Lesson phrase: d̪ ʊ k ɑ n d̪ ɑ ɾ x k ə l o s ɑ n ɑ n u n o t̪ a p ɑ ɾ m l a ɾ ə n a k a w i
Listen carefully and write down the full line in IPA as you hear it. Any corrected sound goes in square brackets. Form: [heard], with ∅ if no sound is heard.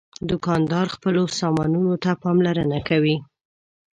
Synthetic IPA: d̪ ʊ k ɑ n d̪ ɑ ɾ x [p] ə l o s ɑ [m] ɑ n u n o t̪ a p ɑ [∅] m l a ɾ ə n a k a w i